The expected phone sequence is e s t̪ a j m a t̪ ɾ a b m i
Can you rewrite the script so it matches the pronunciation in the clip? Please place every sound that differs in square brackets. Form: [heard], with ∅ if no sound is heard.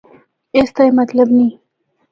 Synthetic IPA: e s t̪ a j m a t̪ [l] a b [n] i